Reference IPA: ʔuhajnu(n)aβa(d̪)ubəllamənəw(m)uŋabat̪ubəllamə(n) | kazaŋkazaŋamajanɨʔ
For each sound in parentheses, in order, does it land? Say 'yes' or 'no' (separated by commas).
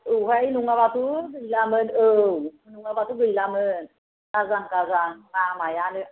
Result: no, no, no, yes